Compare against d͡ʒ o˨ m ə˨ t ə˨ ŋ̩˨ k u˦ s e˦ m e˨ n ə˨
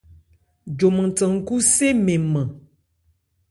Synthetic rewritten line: d͡ʒ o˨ m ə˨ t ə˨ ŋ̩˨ k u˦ s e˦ m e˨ m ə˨